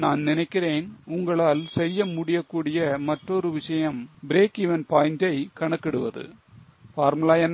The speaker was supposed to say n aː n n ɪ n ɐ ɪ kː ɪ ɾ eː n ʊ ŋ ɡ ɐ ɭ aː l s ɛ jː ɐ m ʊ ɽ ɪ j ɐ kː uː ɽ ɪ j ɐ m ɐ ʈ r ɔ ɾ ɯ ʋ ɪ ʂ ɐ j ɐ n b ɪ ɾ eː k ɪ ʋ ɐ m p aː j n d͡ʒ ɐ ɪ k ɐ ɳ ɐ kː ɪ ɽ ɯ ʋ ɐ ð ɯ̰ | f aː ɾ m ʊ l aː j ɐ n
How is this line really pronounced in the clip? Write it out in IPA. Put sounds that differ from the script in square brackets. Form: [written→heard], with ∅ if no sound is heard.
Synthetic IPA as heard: n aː n n ɪ n ɐ ɪ kː ɪ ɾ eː n ʊ ŋ ɡ ɐ ɭ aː l s ɛ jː ɐ m ʊ ɽ ɪ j ɐ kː uː ɽ ɪ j ɐ m ɐ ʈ r ɔ ɾ ɯ ʋ ɪ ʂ ɐ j ɐ [n→m] b ɪ ɾ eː k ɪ ʋ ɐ [m→n] p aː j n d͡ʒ ɐ ɪ k ɐ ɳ ɐ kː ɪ ɽ ɯ ʋ ɐ ð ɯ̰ | f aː ɾ m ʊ l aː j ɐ n